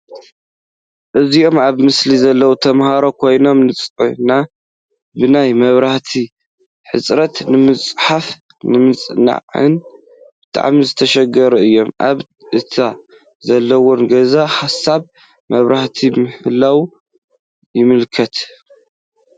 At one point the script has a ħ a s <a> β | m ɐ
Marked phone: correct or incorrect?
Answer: correct